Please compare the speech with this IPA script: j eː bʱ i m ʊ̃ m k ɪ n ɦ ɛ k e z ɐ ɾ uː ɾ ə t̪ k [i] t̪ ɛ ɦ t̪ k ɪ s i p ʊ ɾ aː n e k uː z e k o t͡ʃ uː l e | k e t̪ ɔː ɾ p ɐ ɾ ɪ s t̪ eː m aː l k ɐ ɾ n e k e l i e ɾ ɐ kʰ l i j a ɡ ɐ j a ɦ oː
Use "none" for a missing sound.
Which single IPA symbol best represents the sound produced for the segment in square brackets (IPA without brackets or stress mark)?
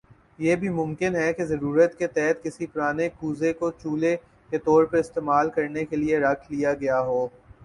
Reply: e